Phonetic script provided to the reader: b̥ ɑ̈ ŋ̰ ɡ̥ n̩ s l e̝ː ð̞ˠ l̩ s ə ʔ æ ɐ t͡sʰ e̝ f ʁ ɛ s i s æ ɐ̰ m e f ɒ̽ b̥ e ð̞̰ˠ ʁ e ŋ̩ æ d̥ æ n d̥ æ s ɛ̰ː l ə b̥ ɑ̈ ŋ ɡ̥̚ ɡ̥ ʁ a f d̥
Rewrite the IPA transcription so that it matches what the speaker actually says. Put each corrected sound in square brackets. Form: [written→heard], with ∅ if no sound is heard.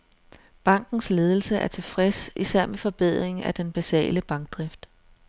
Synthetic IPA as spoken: b̥ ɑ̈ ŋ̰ ɡ̥ n̩ s l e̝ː ð̞ˠ l̩ s ə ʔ æ ɐ t͡sʰ e̝ f ʁ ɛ s i s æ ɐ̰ m e f ɒ̽ b̥ e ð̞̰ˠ ʁ e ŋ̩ æ d̥ [æ→e] n [d̥→b̥] æ s ɛ̰ː l ə b̥ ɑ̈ ŋ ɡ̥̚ [ɡ̥→d̥] ʁ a f d̥